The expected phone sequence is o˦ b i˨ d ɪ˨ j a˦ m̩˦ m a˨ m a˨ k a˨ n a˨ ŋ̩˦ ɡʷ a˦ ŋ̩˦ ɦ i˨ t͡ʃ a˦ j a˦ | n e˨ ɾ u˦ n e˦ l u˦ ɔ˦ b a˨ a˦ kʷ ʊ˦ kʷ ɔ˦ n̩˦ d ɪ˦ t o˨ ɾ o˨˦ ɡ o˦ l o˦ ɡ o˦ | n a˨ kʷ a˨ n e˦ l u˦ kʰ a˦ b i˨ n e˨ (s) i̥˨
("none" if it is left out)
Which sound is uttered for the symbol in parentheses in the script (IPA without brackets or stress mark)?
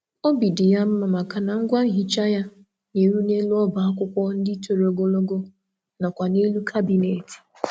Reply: t